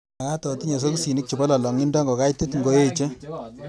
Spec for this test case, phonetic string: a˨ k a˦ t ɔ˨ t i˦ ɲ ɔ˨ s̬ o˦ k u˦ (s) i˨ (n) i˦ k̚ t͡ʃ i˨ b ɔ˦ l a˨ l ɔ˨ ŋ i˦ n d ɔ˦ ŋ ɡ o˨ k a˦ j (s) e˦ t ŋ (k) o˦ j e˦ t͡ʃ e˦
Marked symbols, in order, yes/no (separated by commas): yes, yes, no, no